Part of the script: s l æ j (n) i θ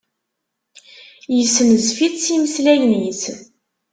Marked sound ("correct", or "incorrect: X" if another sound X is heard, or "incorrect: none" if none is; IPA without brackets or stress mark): correct